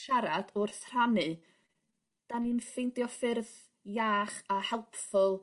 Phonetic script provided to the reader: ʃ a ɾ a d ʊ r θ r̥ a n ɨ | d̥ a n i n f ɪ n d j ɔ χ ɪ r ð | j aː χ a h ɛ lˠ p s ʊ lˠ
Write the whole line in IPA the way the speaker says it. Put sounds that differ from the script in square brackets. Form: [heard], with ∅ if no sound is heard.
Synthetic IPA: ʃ a ɾ a d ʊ r θ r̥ a n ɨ | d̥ a n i n f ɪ n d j ɔ [f] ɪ r ð | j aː χ a h ɛ lˠ p [f] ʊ lˠ